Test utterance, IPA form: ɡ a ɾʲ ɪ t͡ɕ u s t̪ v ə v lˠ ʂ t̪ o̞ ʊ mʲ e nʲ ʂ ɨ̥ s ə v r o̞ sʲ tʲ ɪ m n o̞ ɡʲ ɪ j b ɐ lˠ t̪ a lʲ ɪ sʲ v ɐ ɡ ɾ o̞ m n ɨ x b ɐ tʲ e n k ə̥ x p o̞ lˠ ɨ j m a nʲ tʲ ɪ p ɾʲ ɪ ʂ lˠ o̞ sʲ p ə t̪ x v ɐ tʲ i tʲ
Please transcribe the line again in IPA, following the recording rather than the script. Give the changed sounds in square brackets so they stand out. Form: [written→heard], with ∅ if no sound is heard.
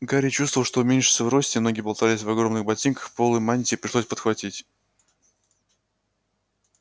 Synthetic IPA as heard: ɡ a ɾʲ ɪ t͡ɕ u s t̪ v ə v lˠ ʂ t̪ o̞ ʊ mʲ e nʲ ʂ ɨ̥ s ə v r o̞ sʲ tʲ ɪ m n o̞ ɡʲ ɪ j b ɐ lˠ t̪ a lʲ ɪ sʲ v ɐ ɡ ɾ o̞ m n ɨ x b ɐ tʲ [e→i] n k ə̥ x p o̞ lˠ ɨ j m a nʲ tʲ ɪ p ɾʲ ɪ ʂ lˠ o̞ sʲ p ə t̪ x v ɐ tʲ i tʲ